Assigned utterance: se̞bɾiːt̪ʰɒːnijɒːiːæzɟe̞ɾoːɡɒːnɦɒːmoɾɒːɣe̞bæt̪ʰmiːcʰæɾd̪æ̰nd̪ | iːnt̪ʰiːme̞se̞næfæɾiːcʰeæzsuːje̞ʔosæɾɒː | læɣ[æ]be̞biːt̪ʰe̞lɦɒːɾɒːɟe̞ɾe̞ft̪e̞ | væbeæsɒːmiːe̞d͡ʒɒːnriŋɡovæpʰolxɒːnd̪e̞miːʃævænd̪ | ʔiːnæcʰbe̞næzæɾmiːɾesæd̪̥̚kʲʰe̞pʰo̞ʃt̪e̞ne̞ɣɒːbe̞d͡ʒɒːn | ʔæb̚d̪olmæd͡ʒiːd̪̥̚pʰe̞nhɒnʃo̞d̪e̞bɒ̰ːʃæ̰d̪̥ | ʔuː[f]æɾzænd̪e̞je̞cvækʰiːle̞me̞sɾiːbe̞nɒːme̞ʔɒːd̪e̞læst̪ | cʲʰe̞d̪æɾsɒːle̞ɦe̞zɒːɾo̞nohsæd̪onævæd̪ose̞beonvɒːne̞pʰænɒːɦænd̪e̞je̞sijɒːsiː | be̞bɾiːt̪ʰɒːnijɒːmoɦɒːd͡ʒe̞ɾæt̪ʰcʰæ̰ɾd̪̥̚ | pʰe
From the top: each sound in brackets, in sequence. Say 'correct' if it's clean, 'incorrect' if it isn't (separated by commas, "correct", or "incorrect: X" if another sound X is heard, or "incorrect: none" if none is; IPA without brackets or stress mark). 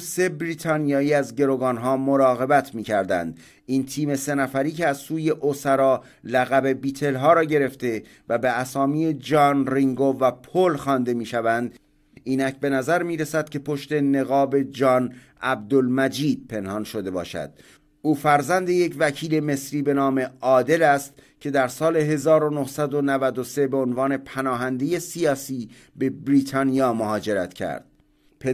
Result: correct, correct